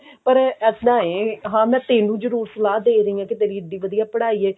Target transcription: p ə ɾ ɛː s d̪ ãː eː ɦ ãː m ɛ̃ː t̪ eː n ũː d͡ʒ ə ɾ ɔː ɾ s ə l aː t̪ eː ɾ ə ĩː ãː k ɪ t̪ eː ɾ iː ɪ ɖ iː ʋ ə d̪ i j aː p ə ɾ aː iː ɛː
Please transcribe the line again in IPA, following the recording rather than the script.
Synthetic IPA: p ə ɾ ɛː s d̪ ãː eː ɦ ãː m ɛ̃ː t̪ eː n ũː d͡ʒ ə ɾ uː ɾ s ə l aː d̪ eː ɾ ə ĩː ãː k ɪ t̪ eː ɾ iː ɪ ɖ iː ʋ ə d̪ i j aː p ə ɽ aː iː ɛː

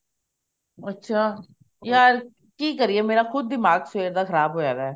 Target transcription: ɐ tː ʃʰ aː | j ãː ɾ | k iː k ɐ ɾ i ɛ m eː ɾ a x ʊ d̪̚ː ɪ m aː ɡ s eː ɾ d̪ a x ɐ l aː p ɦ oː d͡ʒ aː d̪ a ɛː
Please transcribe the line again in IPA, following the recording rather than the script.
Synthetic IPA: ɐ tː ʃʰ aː | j aː ɾ | k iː k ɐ ɾ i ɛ m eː ɾ a x ʊ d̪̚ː ɪ m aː ɡ s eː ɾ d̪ a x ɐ ɾ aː b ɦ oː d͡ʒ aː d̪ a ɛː

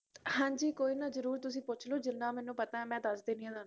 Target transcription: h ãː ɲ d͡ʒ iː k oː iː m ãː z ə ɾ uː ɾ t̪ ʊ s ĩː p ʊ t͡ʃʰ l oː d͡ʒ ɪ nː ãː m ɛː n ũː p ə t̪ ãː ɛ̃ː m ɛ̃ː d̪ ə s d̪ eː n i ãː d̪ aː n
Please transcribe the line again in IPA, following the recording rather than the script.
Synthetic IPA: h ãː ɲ d͡ʒ iː k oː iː n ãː z ə ɾ uː ɾ t̪ ʊ s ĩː p ʊ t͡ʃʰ l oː d͡ʒ ɪ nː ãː m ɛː n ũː p ə t̪ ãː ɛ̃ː m ɛ̃ː d̪ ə s d̪ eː n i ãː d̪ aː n

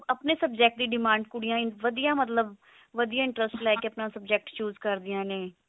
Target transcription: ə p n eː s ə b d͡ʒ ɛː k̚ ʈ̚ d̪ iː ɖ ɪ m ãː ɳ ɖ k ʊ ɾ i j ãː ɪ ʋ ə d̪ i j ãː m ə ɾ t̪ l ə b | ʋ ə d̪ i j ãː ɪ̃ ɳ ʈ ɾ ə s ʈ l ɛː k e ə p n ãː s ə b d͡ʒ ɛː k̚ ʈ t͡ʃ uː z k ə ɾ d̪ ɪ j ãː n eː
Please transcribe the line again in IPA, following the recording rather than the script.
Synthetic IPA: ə p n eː s ə b d͡ʒ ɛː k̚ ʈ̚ d̪ iː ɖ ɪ m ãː ɳ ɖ k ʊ ɽ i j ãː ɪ ʋ ə d̪ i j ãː m ə t̪ l ə b | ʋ ə d̪ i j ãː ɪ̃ ɳ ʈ ɾ ə s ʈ l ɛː k e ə p n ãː s ə b d͡ʒ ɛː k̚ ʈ t͡ʃ uː z k ə ɾ d̪ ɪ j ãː n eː

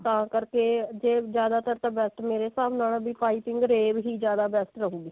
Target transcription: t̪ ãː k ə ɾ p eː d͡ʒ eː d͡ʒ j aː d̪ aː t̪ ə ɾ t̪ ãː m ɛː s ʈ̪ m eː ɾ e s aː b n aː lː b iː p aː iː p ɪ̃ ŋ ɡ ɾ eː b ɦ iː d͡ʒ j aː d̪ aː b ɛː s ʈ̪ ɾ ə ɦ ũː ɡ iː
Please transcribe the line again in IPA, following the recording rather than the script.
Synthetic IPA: t̪ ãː k ə ɾ k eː d͡ʒ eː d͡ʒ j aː d̪ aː t̪ ə ɾ t̪ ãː b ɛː s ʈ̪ m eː ɾ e s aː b n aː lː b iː p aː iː p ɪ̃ ŋ ɡ ɾ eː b ɦ iː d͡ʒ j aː d̪ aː b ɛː s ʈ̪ ɾ ə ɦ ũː ɡ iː

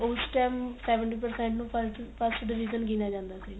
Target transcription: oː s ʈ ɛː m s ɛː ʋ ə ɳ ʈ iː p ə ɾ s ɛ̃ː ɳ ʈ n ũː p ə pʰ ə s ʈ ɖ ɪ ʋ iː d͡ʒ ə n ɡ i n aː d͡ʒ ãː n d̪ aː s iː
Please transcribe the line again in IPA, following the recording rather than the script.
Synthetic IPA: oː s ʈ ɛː m s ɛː ʋ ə ɳ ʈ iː p ə ɾ s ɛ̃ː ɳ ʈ n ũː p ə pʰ ə s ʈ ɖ ɪ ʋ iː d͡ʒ ə n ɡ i n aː d͡ʒ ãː n d̪ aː s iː

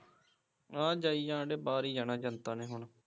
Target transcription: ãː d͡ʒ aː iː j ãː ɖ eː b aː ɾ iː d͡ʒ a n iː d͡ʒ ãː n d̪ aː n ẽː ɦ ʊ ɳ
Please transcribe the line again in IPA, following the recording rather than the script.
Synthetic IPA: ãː d͡ʒ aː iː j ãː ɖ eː b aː ɾ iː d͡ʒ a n aː d͡ʒ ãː n t̪ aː n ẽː ɦ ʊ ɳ

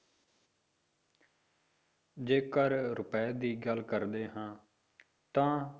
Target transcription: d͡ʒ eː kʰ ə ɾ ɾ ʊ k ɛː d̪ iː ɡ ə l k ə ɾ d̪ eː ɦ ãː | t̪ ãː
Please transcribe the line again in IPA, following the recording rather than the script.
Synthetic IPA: d͡ʒ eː k ə ɾ ɾ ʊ p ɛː d̪ iː ɡ ə l k ə ɾ d̪ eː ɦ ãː | t̪ ãː

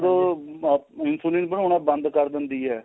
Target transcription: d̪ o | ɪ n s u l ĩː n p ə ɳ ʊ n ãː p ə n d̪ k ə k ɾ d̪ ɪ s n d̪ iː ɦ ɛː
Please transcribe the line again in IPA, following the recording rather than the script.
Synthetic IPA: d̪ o | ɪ n s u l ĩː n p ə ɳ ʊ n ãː b ə n d̪ k ə ɾ d̪ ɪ n d̪ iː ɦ ɛː

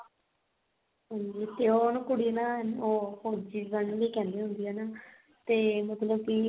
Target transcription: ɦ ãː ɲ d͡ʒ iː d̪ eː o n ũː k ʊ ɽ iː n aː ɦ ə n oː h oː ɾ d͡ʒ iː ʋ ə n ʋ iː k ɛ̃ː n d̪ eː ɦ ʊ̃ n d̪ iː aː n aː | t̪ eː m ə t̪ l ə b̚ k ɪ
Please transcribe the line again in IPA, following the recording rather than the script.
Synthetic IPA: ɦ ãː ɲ d͡ʒ iː t̪ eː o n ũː k ʊ ɽ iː n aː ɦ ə n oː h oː ɾ d͡ʒ iː ʋ ə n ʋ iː k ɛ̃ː n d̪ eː ɦ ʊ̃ n d̪ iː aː n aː | t̪ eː m ə t̪ l ə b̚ k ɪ

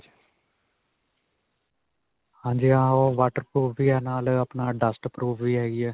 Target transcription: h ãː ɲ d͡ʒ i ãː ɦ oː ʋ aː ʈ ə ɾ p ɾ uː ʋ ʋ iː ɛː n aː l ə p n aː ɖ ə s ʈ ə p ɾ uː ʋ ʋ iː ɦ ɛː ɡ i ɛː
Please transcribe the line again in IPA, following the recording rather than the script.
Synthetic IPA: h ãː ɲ d͡ʒ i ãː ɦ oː ʋ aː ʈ ə ɾ p ɾ uː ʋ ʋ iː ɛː n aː l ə p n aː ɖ ə s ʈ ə p ɾ uː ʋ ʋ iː ɦ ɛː ɡ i ɛː

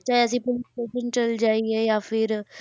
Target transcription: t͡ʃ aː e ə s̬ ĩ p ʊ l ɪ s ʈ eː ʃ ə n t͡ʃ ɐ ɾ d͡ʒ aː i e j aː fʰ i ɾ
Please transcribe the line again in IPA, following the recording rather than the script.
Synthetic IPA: t͡ʃ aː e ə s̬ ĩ p ʊ l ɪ s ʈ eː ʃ ə n t͡ʃ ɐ l d͡ʒ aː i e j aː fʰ ɪ ɾ

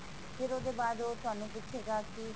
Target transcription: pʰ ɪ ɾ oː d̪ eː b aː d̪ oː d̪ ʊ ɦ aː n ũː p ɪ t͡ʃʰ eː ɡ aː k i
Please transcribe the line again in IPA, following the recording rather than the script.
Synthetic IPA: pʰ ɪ ɾ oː d̪ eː b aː d̪ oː t̪ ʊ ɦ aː n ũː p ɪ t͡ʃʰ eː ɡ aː k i

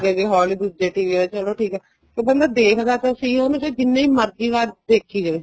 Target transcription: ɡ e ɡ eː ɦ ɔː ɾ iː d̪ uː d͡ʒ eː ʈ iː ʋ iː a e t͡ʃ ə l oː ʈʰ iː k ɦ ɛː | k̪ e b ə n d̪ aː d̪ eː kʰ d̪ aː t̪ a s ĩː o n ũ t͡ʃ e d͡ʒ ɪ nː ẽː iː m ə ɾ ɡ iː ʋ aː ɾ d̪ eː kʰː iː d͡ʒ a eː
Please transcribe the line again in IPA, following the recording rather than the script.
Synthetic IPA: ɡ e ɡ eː ɦ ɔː l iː d̪ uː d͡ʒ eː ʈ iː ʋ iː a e t͡ʃ ə l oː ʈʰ iː k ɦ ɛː | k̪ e b ə n d̪ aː d̪ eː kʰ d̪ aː t̪ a s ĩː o n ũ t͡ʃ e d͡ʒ ɪ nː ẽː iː m ə ɾ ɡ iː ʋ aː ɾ d̪ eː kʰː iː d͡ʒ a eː

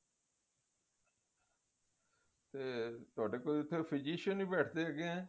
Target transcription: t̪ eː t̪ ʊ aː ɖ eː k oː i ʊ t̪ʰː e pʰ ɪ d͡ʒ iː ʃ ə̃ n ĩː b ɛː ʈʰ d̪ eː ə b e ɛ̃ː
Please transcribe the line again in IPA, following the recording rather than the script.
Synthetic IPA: t̪ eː t̪ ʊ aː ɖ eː k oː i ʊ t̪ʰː e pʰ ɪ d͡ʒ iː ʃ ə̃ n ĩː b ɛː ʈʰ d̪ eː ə ɡ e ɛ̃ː

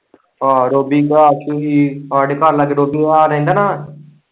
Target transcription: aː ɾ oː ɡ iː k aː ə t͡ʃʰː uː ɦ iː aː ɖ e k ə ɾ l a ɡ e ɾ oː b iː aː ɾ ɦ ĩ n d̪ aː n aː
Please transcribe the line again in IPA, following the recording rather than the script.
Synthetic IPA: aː ɾ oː b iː k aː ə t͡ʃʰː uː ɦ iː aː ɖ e k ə ɾ l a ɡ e ɾ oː b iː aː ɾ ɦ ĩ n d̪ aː n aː

